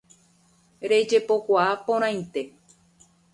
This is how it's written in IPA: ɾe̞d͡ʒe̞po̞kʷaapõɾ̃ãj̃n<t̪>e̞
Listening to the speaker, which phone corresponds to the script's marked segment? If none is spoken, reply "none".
t̪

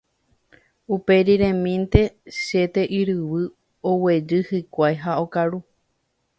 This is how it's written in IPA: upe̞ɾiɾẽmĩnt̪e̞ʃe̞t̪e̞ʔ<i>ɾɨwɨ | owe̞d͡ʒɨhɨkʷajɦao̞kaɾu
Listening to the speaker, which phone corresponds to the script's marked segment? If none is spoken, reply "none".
i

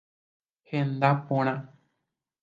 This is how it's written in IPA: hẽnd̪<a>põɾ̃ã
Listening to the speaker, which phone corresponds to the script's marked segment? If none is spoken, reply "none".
a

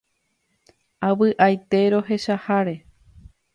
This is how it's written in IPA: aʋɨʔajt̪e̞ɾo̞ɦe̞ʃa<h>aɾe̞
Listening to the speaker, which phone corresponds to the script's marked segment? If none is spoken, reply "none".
h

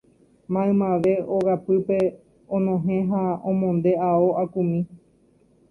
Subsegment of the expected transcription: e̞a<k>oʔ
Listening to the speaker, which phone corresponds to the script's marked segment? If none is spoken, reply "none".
none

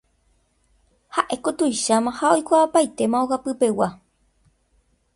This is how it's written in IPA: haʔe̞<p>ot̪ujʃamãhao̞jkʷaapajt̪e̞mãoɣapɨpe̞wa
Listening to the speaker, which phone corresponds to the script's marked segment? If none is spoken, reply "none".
k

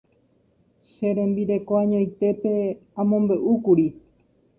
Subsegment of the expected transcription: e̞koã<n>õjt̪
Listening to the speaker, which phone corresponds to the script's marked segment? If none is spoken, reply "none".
ɲ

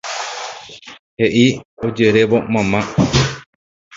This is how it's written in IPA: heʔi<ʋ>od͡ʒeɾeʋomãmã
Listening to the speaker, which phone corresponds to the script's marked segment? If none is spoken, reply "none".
none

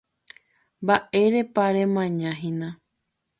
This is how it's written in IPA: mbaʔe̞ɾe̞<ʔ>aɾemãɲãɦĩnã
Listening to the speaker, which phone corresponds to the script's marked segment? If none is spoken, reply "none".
p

